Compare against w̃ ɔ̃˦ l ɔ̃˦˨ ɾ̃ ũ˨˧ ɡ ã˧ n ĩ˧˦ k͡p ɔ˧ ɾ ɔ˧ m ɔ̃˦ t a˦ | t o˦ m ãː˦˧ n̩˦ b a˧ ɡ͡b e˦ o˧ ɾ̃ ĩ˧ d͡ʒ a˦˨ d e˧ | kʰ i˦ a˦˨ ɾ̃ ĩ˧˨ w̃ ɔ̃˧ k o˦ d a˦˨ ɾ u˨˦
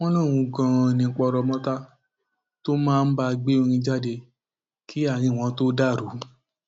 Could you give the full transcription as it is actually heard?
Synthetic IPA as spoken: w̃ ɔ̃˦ l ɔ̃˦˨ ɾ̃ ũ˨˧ ɡ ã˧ n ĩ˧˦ k͡p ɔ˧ ɾ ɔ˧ m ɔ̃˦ t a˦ | t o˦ m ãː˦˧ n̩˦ b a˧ ɡ͡b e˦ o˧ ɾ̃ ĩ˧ d͡ʒ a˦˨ d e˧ | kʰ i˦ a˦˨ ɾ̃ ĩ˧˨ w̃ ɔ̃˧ t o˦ d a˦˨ ɾ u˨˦